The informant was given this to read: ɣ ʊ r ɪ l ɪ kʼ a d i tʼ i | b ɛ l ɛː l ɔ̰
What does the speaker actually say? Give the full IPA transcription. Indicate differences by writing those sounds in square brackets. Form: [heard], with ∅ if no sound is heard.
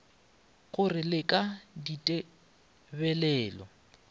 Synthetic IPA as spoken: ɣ ʊ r ɪ l ɪ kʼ a d i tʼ [ɛ] | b ɛ l ɛː l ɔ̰